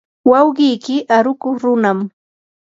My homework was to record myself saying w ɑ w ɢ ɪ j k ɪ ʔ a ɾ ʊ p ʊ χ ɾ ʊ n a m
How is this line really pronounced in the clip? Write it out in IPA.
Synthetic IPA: w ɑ w ɢ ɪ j k ɪ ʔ a ɾ ʊ k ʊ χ ɾ ʊ n a m

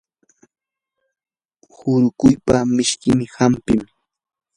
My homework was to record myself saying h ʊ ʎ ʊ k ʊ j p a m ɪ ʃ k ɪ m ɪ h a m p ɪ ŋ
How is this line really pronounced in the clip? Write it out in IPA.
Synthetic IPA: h ʊ ɾ ʊ k ʊ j p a m ɪ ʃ k ɪ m ɪ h a m p ɪ m

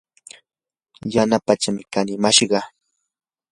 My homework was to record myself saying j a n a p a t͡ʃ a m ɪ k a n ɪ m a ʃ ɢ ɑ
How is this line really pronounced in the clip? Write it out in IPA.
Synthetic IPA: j a n a p a t͡ʃ a m ɪ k a n ɪ m a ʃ ɢ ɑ

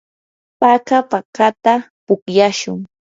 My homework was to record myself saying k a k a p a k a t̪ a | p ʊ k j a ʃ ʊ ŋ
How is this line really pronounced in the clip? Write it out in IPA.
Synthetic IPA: p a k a p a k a t̪ a | p ʊ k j a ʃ ʊ ŋ

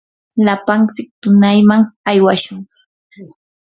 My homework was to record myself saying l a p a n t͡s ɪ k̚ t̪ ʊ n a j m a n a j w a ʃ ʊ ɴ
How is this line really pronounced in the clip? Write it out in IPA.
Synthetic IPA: l a p a n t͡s ɪ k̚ t̪ ʊ n a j m a ŋ a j w a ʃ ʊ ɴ

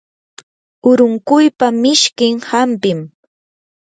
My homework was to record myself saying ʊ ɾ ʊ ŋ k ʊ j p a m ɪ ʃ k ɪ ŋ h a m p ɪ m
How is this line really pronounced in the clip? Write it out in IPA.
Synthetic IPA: ʊ ɾ ʊ ŋ k ʊ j p a m ɪ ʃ k ɪ ŋ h a m p ɪ m

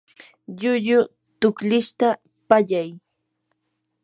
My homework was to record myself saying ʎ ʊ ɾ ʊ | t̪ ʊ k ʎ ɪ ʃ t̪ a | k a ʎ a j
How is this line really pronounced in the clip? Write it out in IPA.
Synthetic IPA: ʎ ʊ ʎ ʊ | t̪ ʊ k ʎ ɪ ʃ t̪ a | p a ʎ a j

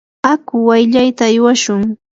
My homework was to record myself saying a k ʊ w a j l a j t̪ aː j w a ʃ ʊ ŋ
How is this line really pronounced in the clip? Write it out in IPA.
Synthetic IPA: a k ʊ w a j ʎ a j t̪ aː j w a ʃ ʊ ŋ

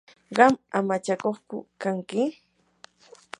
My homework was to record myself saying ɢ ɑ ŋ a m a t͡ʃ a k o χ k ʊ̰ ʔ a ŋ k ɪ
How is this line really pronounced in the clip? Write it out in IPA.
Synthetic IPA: ɢ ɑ m a m a t͡ʃ a k o χ k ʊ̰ k a ŋ k ɪ

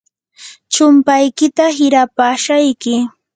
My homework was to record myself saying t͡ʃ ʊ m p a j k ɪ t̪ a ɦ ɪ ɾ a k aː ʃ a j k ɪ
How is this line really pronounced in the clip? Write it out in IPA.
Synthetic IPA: t͡ʃ ʊ m p a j k ɪ t̪ a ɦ ɪ ɾ a p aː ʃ a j k ɪ

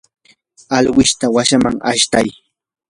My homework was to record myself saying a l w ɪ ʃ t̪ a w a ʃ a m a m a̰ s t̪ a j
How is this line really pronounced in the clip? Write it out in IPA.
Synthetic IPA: a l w ɪ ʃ t̪ a w a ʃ a m a ŋ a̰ ʃ t̪ a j

